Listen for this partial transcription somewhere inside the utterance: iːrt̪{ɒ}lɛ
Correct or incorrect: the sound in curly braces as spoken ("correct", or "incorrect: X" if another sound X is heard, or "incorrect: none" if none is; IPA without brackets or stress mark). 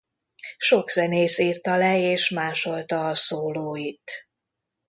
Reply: correct